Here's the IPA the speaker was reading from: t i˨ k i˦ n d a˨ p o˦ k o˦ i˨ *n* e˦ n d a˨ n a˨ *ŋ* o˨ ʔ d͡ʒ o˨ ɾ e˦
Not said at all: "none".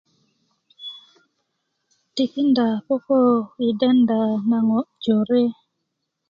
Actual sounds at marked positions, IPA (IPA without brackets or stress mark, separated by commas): d, ŋ